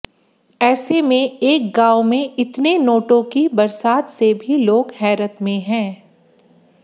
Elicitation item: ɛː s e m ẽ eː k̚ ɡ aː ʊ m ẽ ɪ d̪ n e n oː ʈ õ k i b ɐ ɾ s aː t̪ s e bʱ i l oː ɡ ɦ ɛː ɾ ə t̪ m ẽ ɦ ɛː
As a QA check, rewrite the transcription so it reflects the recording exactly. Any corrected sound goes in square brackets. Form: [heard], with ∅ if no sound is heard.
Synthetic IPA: ɛː s e m ẽ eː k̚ ɡ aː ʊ m ẽ ɪ [t̪] n e n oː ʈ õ k i b ɐ ɾ s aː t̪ s e bʱ i l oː ɡ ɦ ɛː ɾ ə t̪ m ẽ ɦ [ɛ̃ː]